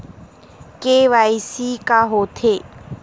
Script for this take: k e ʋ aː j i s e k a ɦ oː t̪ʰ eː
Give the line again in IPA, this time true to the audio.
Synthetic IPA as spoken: k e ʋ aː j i s i k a ɦ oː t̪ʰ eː